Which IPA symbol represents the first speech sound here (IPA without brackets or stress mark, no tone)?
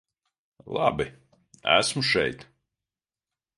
lˠ